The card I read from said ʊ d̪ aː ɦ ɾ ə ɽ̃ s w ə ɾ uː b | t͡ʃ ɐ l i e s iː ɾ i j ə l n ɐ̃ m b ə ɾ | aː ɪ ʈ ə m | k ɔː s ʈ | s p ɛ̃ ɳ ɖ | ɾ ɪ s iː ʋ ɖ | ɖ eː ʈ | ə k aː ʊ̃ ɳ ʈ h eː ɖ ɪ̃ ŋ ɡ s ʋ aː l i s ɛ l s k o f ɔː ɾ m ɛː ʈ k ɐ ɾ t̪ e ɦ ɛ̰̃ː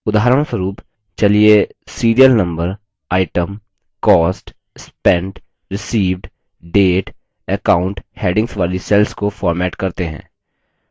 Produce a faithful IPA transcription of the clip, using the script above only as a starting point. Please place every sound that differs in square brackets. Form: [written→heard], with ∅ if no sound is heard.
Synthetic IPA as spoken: ʊ d̪ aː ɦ ɾ ə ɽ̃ s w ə ɾ uː [b→p] | t͡ʃ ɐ l i e s iː ɾ i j ə l n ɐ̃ m b ə ɾ | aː ɪ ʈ ə m | k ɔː s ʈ | s p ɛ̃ ɳ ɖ | ɾ ɪ s iː ʋ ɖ | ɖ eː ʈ | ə k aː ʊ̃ ɳ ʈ h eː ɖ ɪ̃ ŋ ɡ s ʋ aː l i s ɛ l s k o f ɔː ɾ m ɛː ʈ k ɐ ɾ t̪ e ɦ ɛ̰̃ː